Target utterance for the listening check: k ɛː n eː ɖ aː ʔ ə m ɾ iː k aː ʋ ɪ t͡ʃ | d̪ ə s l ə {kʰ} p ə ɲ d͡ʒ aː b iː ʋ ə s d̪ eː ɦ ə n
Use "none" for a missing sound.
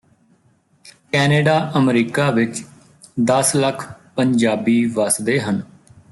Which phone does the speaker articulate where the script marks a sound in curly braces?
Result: kʰ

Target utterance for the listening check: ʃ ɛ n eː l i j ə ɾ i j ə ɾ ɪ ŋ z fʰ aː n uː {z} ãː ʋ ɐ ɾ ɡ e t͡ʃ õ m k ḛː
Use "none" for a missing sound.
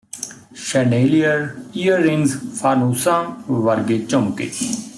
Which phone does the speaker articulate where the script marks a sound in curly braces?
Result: s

